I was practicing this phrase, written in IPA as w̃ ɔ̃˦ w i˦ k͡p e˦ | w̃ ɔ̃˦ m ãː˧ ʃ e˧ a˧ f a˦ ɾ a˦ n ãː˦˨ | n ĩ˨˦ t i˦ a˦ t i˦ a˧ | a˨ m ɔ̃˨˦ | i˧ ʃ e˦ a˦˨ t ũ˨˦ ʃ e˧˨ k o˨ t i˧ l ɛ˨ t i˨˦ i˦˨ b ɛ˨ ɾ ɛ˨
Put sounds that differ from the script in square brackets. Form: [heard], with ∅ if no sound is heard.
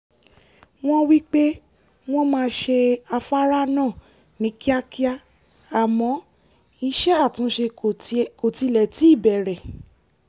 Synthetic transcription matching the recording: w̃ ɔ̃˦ w i˦ k͡p e˦ | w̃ ɔ̃˦ m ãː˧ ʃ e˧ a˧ f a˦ ɾ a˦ n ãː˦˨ | n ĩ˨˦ [k] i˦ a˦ [k] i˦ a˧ | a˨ m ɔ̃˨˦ | i˧ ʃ [ɛ˦] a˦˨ t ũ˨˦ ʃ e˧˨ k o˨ t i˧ l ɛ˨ t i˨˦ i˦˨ b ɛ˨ ɾ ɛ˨